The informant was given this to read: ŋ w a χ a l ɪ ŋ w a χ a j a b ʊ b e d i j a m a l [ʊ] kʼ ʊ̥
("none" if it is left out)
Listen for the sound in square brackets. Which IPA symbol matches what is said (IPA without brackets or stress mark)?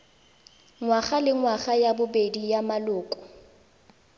ʊː